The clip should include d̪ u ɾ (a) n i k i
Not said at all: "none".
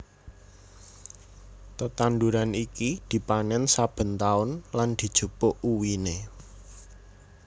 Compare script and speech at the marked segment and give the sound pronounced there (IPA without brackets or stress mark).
a